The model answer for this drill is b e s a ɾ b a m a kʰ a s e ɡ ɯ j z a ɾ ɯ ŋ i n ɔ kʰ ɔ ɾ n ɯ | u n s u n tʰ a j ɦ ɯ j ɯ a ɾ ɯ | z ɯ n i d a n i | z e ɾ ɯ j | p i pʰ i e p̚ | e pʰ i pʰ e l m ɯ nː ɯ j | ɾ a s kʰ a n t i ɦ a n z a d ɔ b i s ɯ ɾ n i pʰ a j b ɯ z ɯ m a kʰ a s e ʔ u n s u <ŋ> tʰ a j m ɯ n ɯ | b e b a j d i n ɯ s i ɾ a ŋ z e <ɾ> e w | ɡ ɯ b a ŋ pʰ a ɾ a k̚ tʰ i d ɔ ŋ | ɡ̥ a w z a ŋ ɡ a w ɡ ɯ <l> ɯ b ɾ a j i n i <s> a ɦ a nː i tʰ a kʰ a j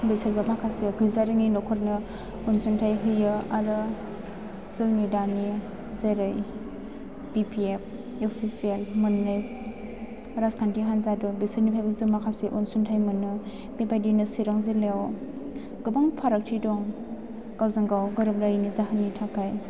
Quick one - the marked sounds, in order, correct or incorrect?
incorrect: n, incorrect: l, incorrect: ɾ, incorrect: z

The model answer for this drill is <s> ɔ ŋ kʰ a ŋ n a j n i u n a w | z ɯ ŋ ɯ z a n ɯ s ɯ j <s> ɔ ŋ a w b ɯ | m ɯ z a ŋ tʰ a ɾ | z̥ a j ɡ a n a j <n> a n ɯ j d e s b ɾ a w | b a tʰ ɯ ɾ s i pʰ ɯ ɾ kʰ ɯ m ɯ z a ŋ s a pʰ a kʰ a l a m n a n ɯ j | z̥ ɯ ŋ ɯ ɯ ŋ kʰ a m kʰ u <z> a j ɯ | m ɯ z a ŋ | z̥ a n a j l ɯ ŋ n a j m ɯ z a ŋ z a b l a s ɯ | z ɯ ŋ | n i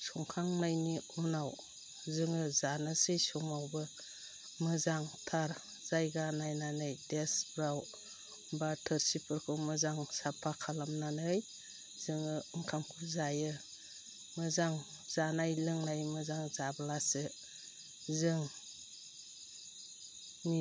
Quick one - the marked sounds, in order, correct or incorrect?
correct, correct, correct, correct

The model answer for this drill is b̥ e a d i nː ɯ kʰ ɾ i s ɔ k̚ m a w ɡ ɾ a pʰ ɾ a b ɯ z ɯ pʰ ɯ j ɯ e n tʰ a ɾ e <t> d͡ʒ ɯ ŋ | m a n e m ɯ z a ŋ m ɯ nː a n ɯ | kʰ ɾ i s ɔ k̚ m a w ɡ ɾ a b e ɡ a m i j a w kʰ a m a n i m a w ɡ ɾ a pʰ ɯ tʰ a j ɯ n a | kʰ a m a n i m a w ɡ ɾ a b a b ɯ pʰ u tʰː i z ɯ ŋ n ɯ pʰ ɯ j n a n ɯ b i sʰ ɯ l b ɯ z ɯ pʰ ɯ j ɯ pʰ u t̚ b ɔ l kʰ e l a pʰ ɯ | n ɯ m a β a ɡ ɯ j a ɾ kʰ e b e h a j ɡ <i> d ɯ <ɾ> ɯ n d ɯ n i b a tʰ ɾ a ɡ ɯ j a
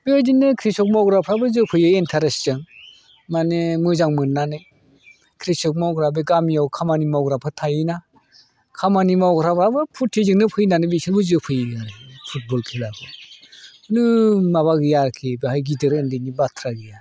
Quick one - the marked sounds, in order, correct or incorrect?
incorrect: s, correct, correct

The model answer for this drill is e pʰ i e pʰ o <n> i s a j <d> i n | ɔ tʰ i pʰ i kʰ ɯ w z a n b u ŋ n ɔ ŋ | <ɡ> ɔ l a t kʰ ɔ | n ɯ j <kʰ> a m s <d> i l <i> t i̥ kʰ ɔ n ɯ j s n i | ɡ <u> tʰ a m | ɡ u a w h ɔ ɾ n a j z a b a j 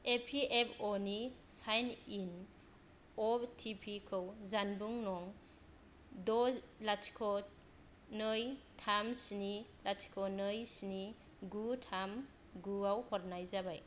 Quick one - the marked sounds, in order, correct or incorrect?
correct, incorrect: n, incorrect: d, incorrect: tʰ, incorrect: n, incorrect: a, correct

